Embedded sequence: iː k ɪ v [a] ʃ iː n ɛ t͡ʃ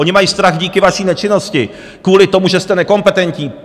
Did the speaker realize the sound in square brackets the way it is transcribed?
yes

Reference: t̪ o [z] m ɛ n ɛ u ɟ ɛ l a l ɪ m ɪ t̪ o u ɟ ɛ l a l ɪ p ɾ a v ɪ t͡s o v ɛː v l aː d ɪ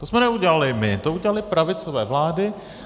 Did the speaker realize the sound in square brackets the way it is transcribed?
no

